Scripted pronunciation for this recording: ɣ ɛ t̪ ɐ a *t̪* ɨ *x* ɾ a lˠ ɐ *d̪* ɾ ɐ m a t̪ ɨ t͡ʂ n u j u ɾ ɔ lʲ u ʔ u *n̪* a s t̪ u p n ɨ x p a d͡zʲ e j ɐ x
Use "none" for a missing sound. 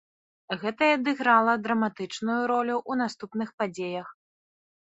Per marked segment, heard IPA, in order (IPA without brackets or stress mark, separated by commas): d̪, ɣ, d̪, n̪